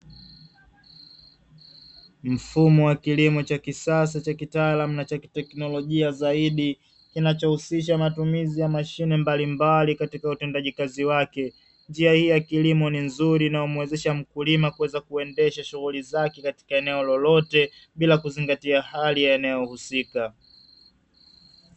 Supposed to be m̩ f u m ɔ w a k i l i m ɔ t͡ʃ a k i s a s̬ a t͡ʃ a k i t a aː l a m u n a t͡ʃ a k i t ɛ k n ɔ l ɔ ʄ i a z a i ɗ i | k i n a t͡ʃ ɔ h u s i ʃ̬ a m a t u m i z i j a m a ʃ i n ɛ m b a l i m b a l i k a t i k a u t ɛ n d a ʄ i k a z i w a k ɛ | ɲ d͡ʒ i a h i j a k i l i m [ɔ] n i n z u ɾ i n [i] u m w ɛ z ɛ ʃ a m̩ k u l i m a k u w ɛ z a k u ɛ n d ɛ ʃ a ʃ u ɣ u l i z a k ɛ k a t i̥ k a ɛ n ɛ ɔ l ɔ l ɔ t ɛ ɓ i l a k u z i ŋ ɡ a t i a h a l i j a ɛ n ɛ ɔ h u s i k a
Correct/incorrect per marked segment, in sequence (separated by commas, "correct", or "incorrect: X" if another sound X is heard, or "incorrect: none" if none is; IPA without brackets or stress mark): correct, incorrect: a